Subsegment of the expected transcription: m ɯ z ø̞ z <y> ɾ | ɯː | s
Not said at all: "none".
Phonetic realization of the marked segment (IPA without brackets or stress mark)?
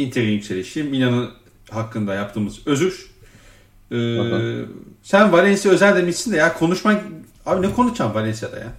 y